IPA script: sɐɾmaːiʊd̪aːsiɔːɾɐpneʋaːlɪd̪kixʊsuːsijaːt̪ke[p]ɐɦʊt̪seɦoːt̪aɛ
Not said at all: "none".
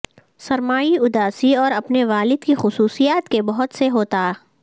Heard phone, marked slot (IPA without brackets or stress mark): b